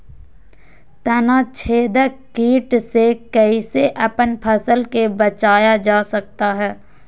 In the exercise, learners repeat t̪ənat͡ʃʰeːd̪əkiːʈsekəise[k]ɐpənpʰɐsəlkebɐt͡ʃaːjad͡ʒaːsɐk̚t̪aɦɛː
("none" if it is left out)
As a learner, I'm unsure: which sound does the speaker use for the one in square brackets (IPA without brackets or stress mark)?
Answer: ʔ